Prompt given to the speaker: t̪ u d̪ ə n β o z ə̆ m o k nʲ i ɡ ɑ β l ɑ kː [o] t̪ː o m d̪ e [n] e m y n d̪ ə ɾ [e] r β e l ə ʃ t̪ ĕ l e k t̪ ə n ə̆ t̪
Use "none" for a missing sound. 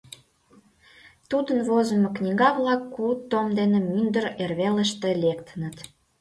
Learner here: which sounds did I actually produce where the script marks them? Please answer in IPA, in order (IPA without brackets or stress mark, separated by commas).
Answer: u, n, e